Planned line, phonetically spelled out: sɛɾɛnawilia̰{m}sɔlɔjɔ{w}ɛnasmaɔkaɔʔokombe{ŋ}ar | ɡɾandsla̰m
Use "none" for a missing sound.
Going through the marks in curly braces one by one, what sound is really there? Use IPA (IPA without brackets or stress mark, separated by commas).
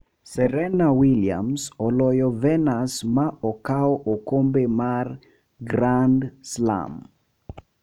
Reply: m, v, m